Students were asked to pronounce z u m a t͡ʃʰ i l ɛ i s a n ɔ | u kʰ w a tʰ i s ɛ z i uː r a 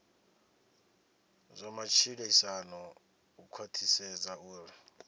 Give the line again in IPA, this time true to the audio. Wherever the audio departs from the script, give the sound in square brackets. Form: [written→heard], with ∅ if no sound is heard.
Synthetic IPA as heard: z [u→ɔ] m a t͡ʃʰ i l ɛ i s a n ɔ | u kʰ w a tʰ i s ɛ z [i→a] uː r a